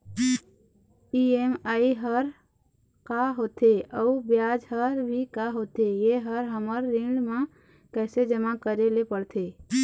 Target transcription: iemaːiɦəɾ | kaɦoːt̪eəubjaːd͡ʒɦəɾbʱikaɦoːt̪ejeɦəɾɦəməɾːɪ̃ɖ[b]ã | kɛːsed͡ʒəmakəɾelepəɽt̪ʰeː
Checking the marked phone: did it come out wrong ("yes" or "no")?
yes